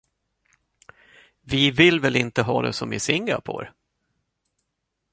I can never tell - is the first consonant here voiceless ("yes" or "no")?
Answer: no